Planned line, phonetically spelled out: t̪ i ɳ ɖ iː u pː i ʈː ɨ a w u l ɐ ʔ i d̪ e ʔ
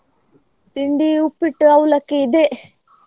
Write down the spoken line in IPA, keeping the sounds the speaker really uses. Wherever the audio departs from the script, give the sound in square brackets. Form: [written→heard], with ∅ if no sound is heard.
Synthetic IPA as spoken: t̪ i ɳ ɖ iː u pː i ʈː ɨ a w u l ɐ [ʔ→k] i d̪ e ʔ